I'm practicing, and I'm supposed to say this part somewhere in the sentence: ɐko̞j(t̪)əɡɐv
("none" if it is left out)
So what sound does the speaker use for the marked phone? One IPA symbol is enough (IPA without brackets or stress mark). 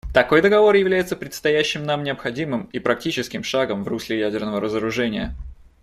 d̪